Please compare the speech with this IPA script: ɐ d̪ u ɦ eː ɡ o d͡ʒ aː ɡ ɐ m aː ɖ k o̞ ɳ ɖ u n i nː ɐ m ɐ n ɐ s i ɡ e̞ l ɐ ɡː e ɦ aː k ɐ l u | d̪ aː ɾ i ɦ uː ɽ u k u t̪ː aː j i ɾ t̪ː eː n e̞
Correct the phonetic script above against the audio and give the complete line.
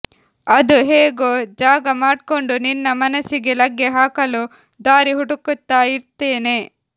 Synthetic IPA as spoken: ɐ d̪ u ɦ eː ɡ o d͡ʒ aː ɡ ɐ m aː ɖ k o̞ ɳ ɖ u n i nː ɐ m ɐ n ɐ s i ɡ e̞ l ɐ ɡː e ɦ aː k ɐ l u | d̪ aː ɾ i ɦ u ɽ u k u t̪ː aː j i ɾ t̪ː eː n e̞